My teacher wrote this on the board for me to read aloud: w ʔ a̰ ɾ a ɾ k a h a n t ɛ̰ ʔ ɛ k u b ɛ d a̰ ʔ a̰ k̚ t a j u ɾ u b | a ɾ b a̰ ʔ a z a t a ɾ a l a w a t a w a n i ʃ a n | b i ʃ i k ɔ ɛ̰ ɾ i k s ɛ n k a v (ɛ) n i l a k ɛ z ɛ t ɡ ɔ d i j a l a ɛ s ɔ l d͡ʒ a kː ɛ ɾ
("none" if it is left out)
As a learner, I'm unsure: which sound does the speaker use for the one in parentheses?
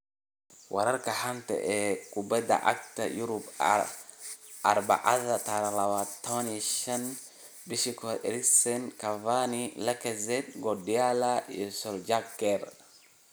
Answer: a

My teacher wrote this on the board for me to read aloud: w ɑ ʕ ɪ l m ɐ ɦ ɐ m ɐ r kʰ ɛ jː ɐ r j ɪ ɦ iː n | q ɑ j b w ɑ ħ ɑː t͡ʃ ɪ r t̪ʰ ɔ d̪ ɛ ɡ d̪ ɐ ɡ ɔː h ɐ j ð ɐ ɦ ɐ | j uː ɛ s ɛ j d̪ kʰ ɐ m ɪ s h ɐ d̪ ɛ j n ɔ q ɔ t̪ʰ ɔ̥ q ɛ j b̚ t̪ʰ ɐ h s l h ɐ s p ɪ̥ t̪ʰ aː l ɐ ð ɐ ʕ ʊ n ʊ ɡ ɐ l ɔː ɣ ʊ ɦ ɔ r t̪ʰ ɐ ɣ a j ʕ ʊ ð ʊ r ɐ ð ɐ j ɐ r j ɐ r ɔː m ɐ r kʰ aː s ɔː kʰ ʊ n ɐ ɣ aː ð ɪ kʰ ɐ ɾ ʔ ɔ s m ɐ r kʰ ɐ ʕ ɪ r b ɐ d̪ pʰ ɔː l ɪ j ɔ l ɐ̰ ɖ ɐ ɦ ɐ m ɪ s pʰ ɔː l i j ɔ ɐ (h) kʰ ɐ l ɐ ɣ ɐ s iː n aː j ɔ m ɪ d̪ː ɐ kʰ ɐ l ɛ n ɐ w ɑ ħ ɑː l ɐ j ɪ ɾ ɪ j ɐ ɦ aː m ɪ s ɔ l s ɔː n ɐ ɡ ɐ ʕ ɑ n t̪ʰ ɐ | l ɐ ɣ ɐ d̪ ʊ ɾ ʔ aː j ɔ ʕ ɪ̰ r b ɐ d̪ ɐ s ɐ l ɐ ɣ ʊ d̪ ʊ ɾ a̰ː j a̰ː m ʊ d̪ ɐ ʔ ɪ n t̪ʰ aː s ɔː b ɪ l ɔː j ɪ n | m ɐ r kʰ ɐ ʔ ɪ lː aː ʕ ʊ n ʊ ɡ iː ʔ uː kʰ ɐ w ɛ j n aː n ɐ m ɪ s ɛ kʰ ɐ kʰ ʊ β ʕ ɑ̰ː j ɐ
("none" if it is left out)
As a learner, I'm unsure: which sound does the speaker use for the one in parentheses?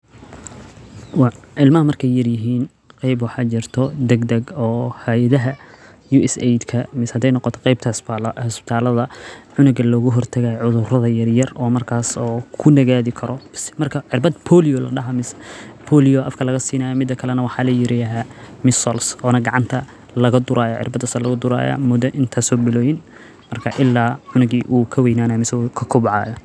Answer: f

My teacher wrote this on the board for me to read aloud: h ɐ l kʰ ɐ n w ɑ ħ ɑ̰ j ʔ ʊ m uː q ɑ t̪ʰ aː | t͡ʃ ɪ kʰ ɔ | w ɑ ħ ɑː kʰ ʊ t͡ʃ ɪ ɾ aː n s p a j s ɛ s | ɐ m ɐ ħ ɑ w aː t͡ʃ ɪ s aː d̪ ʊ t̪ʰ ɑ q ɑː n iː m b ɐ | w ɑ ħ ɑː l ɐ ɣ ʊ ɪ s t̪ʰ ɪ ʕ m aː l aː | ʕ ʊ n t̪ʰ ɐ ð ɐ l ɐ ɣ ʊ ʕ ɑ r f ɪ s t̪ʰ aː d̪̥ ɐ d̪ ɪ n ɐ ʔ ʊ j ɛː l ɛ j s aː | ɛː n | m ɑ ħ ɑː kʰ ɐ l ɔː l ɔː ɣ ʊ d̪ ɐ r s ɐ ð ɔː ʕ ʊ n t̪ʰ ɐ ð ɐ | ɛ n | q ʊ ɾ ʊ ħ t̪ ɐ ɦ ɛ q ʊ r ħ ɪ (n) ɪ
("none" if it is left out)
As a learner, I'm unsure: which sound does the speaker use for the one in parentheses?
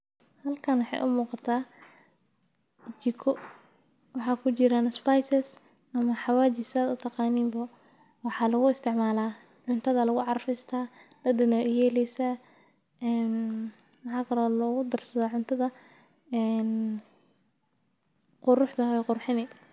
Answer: n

